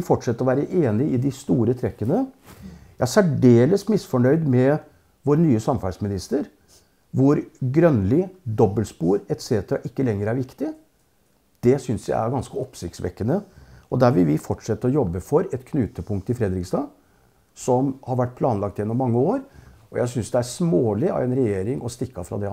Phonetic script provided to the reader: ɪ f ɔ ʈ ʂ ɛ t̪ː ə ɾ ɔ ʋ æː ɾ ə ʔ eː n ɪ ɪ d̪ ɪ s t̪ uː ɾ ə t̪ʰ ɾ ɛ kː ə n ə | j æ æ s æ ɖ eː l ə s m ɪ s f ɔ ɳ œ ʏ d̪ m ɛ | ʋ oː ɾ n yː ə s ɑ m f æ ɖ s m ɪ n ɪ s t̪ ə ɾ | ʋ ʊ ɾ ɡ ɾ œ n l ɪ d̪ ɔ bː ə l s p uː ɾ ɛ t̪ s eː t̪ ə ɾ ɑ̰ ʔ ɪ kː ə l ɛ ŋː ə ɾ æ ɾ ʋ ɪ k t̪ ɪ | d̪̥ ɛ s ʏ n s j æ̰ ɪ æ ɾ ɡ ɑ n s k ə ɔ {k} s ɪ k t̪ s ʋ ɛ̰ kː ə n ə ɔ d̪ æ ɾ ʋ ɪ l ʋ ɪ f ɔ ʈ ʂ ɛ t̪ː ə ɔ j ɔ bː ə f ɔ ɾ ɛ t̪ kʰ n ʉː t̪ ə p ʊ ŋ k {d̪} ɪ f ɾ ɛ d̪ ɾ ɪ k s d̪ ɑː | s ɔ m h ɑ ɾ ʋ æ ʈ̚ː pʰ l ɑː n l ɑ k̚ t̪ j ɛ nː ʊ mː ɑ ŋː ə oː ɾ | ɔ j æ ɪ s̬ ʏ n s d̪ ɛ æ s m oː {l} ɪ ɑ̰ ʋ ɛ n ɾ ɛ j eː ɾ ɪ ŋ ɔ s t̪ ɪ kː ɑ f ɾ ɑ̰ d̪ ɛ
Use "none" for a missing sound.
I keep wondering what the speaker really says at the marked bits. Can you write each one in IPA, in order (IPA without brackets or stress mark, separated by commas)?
p, t̪, l